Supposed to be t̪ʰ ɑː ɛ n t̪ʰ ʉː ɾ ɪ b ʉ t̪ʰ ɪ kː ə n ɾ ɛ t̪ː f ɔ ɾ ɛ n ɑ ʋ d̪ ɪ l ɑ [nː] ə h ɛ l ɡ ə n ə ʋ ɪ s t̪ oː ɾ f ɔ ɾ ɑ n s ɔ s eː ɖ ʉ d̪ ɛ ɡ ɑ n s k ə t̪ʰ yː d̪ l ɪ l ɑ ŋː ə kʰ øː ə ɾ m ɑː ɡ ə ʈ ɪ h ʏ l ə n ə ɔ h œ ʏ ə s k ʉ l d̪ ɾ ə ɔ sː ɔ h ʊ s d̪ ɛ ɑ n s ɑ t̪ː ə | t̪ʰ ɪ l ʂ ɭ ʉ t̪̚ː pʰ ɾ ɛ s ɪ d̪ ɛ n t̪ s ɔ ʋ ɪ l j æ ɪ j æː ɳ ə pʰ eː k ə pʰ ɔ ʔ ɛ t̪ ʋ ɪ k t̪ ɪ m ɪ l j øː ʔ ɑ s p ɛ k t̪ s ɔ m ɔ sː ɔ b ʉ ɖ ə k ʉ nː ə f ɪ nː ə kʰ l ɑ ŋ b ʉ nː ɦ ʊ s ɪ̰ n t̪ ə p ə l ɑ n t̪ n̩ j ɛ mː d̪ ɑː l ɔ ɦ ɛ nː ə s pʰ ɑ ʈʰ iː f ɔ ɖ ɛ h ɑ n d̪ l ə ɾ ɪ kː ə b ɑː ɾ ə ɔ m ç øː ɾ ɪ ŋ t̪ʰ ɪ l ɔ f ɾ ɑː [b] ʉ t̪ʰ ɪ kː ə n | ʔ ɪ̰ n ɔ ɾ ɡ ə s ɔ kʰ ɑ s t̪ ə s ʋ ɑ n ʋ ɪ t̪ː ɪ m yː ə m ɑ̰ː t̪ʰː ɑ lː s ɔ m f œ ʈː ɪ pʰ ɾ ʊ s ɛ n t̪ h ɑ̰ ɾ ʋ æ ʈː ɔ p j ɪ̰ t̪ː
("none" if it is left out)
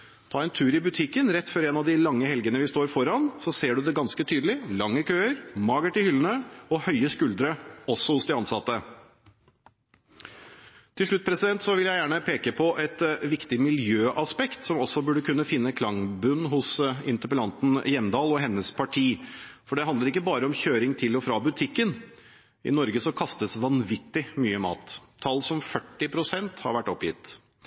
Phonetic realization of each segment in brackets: ŋː, b

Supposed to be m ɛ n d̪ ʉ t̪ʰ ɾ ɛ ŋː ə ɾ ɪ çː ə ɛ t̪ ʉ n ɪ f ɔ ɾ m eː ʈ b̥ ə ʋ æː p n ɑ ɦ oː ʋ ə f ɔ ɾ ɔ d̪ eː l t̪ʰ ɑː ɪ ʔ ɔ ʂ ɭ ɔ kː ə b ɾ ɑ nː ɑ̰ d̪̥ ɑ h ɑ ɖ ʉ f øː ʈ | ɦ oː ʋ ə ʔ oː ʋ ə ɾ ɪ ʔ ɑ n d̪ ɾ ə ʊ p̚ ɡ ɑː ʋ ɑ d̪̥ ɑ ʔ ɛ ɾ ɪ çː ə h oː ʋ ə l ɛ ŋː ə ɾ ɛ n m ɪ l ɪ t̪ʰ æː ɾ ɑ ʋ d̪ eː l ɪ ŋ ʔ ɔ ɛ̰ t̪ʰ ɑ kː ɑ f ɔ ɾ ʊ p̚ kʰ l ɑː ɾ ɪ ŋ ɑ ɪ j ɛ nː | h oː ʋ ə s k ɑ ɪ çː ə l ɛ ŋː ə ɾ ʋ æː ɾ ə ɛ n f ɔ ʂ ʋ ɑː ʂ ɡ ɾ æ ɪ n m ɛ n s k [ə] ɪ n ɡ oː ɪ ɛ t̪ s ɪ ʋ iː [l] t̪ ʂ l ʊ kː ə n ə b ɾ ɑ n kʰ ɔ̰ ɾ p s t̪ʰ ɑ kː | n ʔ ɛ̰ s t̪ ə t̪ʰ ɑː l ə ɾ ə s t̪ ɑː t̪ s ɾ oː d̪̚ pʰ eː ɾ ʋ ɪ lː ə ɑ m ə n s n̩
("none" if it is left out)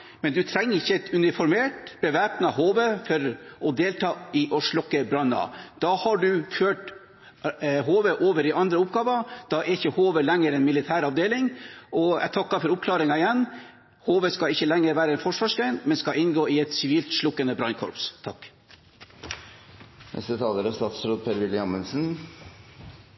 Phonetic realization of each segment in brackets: ɑ, l

